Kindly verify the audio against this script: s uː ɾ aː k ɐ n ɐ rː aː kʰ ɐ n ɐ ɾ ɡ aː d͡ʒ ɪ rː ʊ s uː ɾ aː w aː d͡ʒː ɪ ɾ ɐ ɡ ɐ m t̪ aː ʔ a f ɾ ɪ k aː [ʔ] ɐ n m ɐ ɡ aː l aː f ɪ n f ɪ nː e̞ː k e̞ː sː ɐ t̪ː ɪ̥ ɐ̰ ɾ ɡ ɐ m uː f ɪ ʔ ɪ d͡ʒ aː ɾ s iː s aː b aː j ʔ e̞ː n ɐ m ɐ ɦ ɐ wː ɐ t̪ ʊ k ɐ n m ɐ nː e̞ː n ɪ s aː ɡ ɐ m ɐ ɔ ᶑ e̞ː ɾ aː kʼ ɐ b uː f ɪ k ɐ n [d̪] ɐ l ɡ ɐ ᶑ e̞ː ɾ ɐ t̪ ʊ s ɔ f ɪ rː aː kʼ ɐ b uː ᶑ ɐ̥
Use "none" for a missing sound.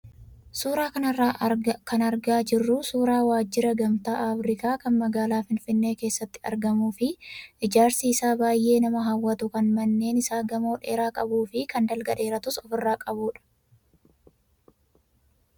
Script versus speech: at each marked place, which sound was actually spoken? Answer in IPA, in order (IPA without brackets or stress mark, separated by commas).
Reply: k, d̪